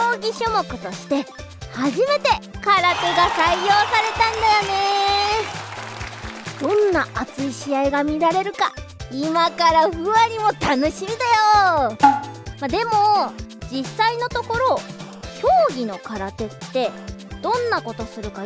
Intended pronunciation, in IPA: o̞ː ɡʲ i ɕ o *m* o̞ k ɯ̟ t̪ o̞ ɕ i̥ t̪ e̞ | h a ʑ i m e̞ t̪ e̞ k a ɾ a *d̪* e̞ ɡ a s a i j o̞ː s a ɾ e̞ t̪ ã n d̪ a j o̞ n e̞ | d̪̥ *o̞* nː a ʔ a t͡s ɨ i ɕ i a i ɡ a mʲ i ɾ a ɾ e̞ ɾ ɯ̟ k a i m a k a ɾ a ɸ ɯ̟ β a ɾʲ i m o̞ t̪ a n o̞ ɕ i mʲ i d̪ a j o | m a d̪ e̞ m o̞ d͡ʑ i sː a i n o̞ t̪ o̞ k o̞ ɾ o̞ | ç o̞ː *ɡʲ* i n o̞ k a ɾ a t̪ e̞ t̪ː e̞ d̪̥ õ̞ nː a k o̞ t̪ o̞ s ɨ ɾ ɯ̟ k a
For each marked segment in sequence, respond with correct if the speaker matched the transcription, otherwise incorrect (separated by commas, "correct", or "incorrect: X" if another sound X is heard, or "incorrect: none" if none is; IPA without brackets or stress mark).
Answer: correct, incorrect: t̪, incorrect: õ̞, correct